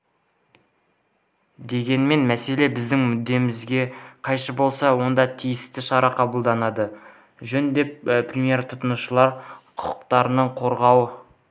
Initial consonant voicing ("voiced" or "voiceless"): voiced